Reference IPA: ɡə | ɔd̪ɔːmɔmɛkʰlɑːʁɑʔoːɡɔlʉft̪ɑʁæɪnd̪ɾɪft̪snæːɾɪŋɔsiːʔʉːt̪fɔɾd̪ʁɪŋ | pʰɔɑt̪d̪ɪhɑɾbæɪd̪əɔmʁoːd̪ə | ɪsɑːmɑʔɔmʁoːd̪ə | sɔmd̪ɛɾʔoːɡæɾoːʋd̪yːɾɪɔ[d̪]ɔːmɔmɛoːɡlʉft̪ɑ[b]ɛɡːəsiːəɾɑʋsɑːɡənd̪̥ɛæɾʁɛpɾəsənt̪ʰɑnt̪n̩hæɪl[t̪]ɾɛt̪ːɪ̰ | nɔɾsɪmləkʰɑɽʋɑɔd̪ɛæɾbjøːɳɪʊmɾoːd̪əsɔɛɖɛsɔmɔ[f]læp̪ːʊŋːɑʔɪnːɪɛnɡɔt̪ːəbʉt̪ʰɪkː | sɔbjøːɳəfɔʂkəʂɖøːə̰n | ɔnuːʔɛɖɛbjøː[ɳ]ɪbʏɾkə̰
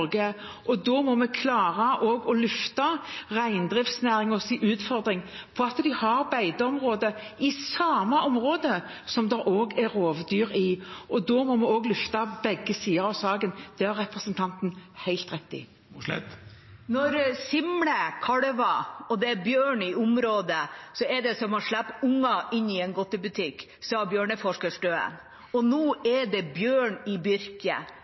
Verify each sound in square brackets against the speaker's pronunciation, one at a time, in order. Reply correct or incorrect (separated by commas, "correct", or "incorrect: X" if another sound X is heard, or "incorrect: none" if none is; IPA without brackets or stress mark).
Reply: correct, correct, correct, incorrect: ʂ, correct